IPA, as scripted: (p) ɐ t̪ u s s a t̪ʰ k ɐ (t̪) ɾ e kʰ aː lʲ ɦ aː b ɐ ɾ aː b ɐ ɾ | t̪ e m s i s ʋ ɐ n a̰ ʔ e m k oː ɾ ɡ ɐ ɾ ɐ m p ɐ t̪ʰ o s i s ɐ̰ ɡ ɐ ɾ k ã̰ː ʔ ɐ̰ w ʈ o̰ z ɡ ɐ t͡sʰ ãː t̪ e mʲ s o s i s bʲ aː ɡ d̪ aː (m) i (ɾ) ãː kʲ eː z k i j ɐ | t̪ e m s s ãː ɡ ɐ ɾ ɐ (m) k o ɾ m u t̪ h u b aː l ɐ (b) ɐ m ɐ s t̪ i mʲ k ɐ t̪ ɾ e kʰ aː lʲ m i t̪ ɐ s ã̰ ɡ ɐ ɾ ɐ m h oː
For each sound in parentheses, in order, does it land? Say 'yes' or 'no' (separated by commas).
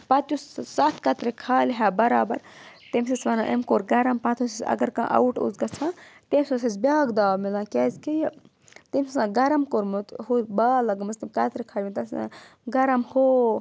yes, yes, yes, no, yes, no